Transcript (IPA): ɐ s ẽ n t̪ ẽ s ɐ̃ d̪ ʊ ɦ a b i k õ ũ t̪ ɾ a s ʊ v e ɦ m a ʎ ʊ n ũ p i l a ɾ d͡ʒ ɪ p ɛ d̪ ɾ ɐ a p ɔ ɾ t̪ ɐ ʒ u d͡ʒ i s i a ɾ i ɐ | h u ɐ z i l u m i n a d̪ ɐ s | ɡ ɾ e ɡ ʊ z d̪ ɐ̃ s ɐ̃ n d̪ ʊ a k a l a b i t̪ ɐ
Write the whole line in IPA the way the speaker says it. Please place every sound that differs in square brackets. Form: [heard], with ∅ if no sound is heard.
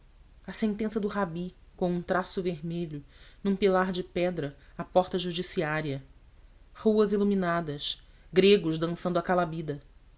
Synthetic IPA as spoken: ɐ s ẽ n t̪ ẽ s [ɐ] d̪ ʊ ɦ a b i k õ ũ t̪ ɾ a s ʊ v e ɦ m [e] ʎ ʊ n ũ p i l a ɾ d͡ʒ ɪ p ɛ d̪ ɾ ɐ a p ɔ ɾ t̪ ɐ ʒ u d͡ʒ i s i a ɾ i ɐ | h u ɐ z i l u m i n a d̪ ɐ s | ɡ ɾ e ɡ ʊ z d̪ ɐ̃ s ɐ̃ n d̪ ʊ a k a l a b i [d̪] ɐ